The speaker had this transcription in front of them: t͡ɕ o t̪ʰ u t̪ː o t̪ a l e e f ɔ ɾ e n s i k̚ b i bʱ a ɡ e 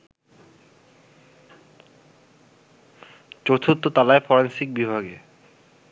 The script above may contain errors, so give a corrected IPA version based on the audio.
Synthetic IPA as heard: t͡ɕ o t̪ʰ u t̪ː o t̪ a l a e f ɔ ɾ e n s i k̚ b i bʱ a ɡ e